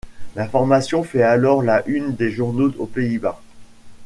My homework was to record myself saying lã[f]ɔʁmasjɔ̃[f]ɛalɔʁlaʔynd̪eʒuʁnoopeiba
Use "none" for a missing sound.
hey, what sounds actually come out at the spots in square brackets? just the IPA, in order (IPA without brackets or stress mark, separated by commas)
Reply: f, f